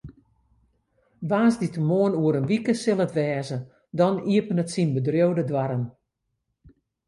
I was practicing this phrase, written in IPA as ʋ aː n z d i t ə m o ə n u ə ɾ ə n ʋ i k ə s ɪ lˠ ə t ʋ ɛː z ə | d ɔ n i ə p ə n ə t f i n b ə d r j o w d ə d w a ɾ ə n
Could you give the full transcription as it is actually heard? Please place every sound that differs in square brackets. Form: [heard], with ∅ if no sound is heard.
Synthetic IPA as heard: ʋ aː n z d i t ə m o ə n u ə ɾ ə n ʋ i k ə s ɪ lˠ ə t ʋ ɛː z ə | d ɔ n i ə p ə n ə t [s] i n b ə d r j o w d ə d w a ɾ ə n